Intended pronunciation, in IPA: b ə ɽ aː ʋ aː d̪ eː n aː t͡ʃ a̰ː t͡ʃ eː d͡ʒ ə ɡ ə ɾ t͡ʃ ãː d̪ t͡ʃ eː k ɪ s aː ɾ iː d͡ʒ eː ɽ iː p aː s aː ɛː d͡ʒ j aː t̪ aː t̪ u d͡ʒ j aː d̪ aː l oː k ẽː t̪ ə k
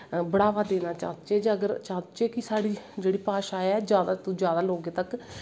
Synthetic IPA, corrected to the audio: b ə ɽ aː ʋ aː d̪ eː n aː t͡ʃ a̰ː t͡ʃ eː d͡ʒ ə ɡ ə ɾ t͡ʃ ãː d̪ t͡ʃ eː k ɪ s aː ɽ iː d͡ʒ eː ɽ iː p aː ʃ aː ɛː d͡ʒ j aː d̪ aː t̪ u d͡ʒ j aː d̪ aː l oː ɡ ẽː t̪ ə k